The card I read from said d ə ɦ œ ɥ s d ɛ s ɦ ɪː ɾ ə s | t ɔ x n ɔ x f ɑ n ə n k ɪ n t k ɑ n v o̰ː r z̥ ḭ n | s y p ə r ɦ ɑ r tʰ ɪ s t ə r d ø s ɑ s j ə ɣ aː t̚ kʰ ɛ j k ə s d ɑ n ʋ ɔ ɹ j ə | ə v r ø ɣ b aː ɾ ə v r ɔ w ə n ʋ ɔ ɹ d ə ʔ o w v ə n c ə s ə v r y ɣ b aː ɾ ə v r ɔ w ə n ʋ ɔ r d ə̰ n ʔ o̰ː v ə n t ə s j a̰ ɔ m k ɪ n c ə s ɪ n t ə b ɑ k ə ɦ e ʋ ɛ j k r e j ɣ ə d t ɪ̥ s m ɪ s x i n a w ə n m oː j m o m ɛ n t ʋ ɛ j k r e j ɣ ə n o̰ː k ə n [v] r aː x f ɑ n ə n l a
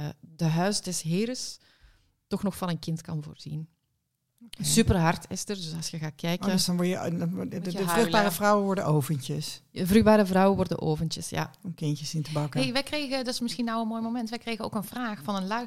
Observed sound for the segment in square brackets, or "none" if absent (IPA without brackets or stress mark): v